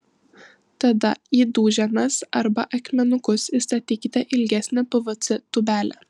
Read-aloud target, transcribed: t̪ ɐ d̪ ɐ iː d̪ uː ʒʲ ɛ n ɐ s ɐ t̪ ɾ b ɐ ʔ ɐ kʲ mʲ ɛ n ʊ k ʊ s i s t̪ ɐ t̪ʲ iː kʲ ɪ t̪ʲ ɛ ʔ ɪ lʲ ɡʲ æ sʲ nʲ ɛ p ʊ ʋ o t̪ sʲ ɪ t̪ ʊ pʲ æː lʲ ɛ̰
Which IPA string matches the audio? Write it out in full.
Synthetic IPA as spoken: t̪ ɐ d̪ ɐ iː d̪ uː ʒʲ ɛ n ɐ s ɐ ɾ b ɐ ʔ ɐ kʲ mʲ ɛ n ʊ k ʊ s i s t̪ ɐ t̪ʲ iː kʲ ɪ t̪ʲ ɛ ʔ ɪ lʲ ɡʲ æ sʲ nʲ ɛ p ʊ ʋ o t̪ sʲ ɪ t̪ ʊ bʲ æː lʲ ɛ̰